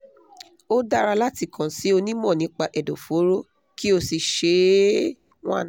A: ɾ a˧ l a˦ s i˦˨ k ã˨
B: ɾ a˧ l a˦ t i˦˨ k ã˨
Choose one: B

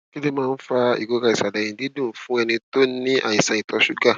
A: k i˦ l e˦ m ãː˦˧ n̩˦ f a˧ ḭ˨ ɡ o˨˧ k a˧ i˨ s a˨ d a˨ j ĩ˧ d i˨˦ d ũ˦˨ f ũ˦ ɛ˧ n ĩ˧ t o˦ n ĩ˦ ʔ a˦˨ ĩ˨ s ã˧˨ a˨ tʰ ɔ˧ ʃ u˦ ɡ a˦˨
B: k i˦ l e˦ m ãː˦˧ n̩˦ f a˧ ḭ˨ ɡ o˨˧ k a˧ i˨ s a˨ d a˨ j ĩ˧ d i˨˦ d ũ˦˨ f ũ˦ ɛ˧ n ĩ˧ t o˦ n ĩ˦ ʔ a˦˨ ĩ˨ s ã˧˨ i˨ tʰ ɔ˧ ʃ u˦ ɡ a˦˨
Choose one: B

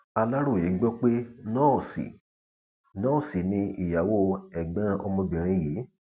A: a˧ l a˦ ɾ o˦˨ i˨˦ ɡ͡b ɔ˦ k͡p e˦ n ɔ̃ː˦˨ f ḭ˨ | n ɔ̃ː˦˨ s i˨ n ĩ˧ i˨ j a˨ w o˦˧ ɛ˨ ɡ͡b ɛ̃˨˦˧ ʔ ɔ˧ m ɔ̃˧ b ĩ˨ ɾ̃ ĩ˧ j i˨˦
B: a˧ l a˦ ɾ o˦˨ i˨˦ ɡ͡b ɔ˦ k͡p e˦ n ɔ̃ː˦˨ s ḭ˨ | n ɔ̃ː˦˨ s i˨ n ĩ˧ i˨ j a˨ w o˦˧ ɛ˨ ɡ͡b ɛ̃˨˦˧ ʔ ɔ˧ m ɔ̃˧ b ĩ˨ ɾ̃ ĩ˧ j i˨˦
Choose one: B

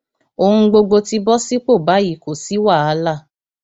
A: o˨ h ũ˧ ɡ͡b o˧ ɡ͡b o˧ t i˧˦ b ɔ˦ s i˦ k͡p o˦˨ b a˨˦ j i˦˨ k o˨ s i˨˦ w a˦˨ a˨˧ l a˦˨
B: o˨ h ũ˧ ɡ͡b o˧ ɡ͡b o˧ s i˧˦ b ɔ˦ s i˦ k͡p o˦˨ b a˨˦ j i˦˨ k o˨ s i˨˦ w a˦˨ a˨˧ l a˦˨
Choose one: A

